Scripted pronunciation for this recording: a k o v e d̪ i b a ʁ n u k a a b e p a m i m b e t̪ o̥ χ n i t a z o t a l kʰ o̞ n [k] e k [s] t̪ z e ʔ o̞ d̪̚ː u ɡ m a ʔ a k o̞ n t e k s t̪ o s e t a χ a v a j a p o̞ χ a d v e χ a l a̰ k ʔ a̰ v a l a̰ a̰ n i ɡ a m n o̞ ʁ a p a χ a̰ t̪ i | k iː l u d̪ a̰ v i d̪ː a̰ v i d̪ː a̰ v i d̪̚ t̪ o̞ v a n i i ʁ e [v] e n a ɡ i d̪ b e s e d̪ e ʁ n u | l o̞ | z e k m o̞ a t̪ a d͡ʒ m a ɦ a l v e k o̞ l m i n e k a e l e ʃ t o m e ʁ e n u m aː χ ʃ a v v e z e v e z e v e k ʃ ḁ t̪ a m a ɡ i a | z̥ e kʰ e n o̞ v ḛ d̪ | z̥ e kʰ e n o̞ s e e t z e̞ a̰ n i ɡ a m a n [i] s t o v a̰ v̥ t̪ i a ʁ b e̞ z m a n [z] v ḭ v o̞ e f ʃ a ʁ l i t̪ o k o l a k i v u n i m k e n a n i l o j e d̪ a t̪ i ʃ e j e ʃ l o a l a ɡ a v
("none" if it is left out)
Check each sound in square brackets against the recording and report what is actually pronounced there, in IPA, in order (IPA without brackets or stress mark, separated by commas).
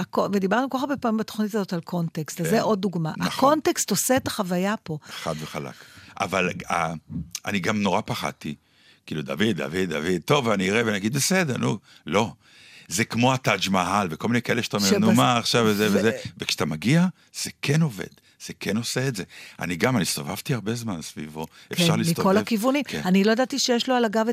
t, s, v, i, s